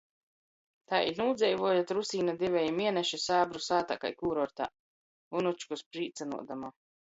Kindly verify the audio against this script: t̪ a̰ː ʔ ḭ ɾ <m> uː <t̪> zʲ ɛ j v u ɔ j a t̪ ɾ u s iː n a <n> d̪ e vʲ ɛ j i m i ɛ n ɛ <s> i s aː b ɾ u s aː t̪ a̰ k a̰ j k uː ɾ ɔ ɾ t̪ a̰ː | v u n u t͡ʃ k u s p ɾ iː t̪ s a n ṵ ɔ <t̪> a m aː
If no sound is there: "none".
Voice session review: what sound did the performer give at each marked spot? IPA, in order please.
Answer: n, d̪, none, ʃ, d̪

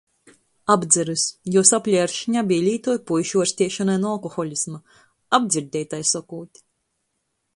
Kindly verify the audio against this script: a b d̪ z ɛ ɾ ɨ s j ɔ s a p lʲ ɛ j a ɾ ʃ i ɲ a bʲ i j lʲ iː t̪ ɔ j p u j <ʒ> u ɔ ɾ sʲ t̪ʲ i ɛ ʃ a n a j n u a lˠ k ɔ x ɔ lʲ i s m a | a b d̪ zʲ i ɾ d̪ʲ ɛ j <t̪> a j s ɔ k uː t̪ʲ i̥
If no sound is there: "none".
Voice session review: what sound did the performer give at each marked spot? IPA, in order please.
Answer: ʃ, t̪

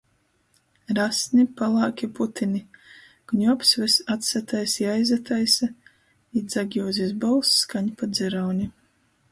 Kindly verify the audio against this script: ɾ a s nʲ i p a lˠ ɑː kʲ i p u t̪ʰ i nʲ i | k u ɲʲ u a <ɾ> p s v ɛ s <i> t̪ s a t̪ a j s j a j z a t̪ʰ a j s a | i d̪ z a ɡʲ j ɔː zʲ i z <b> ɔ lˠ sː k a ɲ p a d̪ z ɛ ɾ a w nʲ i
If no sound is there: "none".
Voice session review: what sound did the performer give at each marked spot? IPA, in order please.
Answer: none, a, b

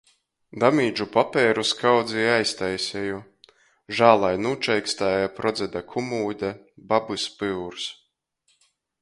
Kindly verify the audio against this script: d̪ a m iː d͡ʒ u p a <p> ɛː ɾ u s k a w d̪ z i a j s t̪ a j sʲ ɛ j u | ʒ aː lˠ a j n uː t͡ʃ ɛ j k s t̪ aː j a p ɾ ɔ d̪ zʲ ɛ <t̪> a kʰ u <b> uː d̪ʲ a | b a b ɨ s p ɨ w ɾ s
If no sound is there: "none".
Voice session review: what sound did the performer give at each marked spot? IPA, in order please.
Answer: p, d̪, m

